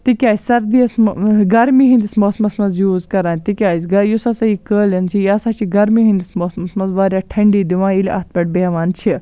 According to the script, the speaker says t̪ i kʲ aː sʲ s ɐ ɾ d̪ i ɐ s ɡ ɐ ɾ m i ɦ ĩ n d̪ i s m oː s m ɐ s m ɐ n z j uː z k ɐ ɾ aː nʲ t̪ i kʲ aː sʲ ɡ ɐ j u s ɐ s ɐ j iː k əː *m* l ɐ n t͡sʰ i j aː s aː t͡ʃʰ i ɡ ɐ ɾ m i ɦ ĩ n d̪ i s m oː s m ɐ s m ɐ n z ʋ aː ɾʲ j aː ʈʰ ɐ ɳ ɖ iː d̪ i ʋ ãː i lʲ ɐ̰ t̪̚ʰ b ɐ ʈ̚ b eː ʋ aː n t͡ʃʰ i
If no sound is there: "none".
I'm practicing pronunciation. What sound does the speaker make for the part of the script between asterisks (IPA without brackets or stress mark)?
none